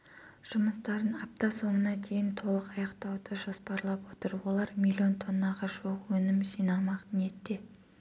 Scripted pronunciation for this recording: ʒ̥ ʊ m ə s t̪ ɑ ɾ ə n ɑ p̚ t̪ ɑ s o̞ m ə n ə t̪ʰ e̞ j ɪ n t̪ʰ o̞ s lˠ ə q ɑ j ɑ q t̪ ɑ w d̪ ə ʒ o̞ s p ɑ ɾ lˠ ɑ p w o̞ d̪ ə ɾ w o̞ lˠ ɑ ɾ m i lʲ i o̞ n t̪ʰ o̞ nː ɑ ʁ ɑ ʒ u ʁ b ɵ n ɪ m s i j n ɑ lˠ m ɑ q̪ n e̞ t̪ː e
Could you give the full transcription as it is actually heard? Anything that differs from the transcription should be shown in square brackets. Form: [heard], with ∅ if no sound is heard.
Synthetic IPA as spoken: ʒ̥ ʊ m ə s t̪ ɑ ɾ ə n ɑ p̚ t̪ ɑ s o̞ m ə n [ɑ] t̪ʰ e̞ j ɪ n t̪ʰ o̞ [∅] lˠ ə q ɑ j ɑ q t̪ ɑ w d̪ ə ʒ o̞ s p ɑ ɾ lˠ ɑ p w o̞ [t̪] ə ɾ w o̞ lˠ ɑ ɾ m i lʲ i o̞ n t̪ʰ o̞ nː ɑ ʁ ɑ ʒ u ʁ [w] ɵ n ɪ m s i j n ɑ lˠ m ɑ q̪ n e̞ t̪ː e